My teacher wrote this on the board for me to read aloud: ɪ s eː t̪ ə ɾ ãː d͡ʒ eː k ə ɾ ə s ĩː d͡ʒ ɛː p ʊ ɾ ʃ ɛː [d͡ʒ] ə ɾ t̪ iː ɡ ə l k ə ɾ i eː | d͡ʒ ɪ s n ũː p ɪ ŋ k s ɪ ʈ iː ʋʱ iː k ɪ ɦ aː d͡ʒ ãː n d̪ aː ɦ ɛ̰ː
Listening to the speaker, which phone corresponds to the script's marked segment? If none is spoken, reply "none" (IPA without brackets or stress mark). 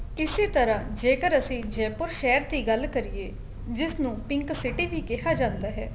none